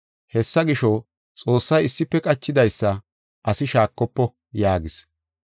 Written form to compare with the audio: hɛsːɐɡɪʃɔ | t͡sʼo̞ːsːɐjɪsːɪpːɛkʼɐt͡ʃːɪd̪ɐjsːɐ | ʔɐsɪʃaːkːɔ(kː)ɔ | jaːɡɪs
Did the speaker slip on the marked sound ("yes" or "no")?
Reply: yes